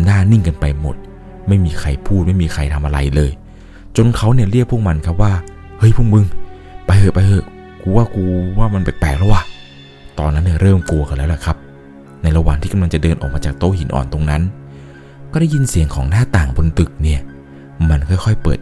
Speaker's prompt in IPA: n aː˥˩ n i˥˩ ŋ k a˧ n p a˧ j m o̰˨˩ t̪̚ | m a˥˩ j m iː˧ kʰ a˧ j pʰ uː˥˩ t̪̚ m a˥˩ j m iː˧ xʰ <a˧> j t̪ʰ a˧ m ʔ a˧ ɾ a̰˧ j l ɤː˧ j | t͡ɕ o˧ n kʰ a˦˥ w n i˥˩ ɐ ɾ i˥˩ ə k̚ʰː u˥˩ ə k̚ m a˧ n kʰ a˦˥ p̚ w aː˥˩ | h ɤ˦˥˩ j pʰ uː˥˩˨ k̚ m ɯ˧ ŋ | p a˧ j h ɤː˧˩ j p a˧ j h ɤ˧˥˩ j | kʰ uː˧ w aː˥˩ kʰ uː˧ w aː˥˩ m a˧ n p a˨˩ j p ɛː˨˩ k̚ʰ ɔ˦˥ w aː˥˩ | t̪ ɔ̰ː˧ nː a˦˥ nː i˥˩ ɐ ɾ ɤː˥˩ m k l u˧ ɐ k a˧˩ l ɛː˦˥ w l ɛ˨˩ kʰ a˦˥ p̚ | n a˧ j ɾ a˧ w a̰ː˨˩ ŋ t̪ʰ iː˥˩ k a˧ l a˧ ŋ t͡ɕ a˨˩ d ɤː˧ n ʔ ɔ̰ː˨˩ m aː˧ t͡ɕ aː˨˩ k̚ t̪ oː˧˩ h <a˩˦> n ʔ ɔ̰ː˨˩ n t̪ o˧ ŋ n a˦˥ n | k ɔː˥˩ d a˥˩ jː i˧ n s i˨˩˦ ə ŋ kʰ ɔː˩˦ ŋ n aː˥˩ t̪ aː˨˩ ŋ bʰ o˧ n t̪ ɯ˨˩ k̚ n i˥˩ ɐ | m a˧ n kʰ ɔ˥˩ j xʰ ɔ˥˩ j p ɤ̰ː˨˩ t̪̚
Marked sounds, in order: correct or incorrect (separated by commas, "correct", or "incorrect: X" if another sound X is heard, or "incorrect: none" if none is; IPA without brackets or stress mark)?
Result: correct, incorrect: i˩˦